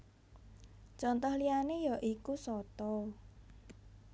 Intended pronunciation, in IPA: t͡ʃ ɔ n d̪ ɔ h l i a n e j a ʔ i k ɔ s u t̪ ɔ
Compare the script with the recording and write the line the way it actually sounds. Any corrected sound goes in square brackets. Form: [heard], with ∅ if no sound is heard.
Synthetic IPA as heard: t͡ʃ ɔ n [t̪] ɔ h l i a n e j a ʔ i k [u] s [ɔ] t̪ ɔ